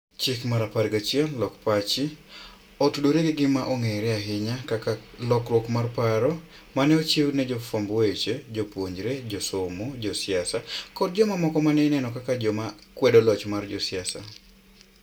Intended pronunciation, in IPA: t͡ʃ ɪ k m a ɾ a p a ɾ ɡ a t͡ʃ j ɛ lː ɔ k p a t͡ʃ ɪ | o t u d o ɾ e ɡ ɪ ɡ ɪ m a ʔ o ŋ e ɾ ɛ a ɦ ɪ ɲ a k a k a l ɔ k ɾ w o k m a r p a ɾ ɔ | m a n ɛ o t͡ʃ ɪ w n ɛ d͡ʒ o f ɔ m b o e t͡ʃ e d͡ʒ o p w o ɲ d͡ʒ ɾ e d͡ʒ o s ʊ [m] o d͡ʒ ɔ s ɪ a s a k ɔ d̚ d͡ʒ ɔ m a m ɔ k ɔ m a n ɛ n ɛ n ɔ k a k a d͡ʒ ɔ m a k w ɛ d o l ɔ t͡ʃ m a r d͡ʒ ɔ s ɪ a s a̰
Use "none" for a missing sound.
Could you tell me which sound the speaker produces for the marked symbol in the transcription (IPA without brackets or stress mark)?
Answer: m